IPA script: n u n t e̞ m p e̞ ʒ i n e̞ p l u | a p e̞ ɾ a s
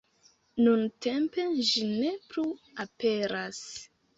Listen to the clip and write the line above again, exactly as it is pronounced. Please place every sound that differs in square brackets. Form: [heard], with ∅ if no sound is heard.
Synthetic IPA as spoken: n u n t e̞ m p e̞ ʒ i n e̞ p l u | a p e̞ ɾ a s